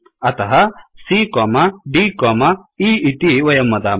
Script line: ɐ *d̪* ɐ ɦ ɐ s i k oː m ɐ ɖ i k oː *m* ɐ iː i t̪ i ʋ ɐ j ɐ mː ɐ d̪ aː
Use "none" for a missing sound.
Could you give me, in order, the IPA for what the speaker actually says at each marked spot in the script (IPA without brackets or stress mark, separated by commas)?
t̪, m